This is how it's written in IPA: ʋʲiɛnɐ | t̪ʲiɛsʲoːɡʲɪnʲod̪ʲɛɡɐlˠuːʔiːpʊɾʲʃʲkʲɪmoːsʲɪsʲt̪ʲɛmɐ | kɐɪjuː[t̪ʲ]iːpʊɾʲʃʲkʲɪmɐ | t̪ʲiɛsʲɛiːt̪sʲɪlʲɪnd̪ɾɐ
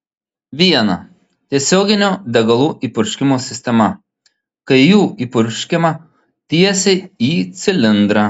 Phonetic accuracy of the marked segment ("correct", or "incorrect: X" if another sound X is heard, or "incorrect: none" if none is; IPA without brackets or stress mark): incorrect: none